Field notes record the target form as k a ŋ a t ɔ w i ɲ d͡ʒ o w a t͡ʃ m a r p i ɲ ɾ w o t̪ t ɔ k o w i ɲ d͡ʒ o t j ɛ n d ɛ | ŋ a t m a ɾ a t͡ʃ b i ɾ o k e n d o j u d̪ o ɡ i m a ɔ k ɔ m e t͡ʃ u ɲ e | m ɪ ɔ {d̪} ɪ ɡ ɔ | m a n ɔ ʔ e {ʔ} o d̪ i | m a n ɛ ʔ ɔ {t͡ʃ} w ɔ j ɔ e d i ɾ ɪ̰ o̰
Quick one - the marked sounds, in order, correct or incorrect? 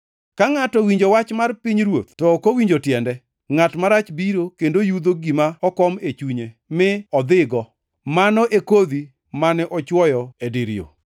correct, incorrect: k, correct

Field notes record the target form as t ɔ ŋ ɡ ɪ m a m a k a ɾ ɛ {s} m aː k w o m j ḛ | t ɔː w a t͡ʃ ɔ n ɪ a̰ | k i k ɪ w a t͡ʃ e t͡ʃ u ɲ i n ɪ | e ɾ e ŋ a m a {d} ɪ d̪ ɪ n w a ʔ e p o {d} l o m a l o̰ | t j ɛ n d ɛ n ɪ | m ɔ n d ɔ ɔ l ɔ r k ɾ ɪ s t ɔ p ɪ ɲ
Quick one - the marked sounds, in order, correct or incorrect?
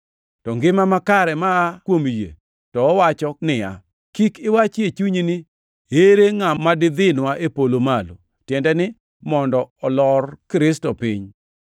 incorrect: none, correct, incorrect: none

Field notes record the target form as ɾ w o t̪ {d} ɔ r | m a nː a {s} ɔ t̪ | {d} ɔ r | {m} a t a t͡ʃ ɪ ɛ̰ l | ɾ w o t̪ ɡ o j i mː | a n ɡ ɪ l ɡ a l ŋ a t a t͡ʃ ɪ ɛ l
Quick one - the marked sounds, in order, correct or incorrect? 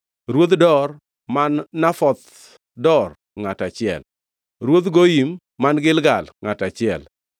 correct, incorrect: f, correct, incorrect: ŋ

